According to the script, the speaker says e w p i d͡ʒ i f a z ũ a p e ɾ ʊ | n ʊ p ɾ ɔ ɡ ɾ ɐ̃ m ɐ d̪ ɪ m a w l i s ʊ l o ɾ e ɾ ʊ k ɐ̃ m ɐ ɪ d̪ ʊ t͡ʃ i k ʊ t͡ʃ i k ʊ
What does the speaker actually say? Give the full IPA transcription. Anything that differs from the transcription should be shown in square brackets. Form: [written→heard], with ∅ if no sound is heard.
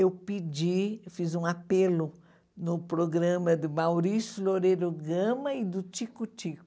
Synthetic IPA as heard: e w p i d͡ʒ i f [a→i] z ũ a p e [ɾ→l] ʊ | n ʊ p ɾ [ɔ→o] ɡ ɾ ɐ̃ m ɐ d̪ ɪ m a w [l→ɾ] i s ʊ l o ɾ e ɾ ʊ [k→ɡ] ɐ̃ m ɐ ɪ d̪ ʊ t͡ʃ i k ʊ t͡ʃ i k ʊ

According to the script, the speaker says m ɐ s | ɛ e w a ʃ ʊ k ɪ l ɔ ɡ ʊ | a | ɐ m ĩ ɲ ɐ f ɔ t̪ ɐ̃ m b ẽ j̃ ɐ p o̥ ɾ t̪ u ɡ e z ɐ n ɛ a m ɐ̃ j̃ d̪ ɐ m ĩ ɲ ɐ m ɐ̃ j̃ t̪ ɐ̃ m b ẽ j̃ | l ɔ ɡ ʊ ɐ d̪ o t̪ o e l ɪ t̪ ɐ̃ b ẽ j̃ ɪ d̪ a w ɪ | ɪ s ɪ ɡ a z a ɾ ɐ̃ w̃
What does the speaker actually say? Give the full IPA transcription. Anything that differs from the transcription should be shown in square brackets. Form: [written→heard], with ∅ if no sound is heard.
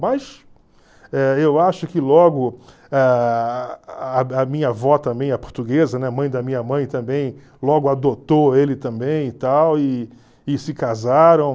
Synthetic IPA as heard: m ɐ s | ɛ e w a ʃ ʊ k ɪ l ɔ ɡ ʊ | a | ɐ m ĩ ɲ ɐ [f→v] ɔ t̪ ɐ̃ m b ẽ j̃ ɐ p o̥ ɾ t̪ u ɡ e z ɐ n ɛ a m ɐ̃ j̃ d̪ ɐ m ĩ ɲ ɐ m ɐ̃ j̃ t̪ ɐ̃ m b ẽ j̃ | l ɔ ɡ ʊ [ɐ→a] d̪ o t̪ o e l ɪ t̪ ɐ̃ b ẽ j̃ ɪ [d̪→t̪] a w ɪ | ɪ s ɪ [ɡ→k] a z a ɾ ɐ̃ w̃

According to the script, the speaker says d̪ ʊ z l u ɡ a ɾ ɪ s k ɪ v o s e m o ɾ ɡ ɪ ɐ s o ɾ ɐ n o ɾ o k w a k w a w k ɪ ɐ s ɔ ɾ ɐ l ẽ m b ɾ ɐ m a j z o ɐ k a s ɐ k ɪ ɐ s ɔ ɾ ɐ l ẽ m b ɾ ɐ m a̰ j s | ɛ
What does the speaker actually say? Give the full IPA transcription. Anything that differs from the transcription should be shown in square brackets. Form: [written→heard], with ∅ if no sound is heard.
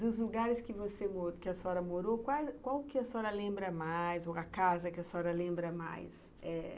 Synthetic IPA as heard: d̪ ʊ z l u ɡ a ɾ ɪ s k ɪ v o s e m o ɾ [ɡ→k] ɪ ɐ s [o→ɔ] ɾ ɐ [n→m] o ɾ o k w a k w a w k ɪ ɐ s ɔ ɾ ɐ l ẽ m b ɾ ɐ m a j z o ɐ k a [s→z] ɐ k ɪ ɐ s ɔ ɾ ɐ l ẽ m b ɾ ɐ m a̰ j s | ɛ

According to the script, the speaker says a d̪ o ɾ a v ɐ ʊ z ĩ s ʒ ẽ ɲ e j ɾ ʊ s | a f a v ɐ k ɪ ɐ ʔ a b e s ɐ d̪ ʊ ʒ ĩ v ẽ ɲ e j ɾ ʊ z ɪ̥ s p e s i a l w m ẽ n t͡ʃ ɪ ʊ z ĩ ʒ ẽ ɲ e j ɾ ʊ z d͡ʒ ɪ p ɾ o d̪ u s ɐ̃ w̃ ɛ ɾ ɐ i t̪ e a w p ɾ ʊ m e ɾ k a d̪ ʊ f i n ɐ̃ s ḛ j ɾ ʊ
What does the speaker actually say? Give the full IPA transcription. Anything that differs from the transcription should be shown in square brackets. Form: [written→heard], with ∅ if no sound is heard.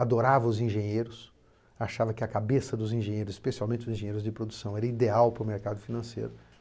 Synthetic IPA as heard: a d̪ o ɾ a v ɐ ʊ z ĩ [s→∅] ʒ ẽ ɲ e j ɾ ʊ s | a [f→ʃ] a v ɐ k ɪ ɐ [ʔ→k] a b e s ɐ d̪ ʊ [ʒ→z] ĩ [v→ʒ] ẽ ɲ e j ɾ ʊ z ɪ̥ s p e s i a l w m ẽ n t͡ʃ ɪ ʊ z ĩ ʒ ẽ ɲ e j ɾ ʊ z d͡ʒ ɪ p ɾ o d̪ u s ɐ̃ w̃ ɛ ɾ ɐ i [t̪→d̪] e a w p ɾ ʊ m e ɾ k a d̪ ʊ f i n ɐ̃ s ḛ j ɾ ʊ

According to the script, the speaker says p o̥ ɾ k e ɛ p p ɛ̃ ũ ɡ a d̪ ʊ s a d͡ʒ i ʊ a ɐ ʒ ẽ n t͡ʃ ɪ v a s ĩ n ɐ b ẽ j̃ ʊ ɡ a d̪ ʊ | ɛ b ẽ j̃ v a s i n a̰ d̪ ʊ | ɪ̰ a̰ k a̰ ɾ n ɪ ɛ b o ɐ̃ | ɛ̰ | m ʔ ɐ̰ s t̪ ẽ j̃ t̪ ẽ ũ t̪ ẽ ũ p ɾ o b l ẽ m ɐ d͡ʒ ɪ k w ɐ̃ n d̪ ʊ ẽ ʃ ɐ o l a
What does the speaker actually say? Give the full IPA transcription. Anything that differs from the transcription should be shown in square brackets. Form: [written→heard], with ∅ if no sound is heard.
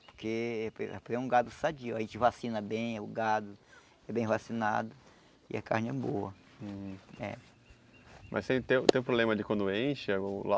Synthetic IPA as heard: p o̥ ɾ k e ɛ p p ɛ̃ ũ ɡ a d̪ ʊ s a d͡ʒ i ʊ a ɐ ʒ ẽ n t͡ʃ ɪ v a s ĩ n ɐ b ẽ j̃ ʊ ɡ a d̪ ʊ | ɛ b ẽ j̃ v a s i n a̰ d̪ ʊ | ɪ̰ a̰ k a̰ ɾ n ɪ ɛ b o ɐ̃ | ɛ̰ | m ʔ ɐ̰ s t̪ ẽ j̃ t̪ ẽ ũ t̪ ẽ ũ p ɾ o b l ẽ m ɐ d͡ʒ ɪ k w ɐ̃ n d̪ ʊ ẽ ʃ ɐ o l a

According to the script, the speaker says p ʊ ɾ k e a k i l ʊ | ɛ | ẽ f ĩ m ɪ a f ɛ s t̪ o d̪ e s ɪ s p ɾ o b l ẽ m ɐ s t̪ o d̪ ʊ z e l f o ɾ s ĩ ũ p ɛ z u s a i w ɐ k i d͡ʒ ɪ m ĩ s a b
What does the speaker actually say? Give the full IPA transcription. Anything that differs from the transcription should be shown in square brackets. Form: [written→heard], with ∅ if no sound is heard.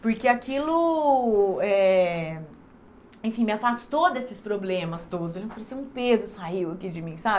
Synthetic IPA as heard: p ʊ ɾ k e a k i l ʊ | ɛ | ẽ f ĩ m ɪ a f [ɛ→a] s t̪ o d̪ e s ɪ s p ɾ o b l ẽ m ɐ s t̪ o d̪ ʊ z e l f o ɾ s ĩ ũ p [ɛ→e] z [u→ʊ] s a i w ɐ k i d͡ʒ ɪ m ĩ s a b

